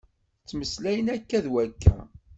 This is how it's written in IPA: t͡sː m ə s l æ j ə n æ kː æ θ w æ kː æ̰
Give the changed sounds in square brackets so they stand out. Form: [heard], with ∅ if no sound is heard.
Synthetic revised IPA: t͡sː m ə s l æ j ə n æ kː æ [ð] w æ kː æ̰